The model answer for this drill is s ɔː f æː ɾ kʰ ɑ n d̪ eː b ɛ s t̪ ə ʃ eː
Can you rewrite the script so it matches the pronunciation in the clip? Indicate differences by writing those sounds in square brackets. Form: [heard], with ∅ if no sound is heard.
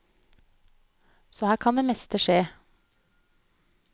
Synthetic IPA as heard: s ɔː [h] æː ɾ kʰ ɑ n d̪ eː [m] ɛ s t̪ ə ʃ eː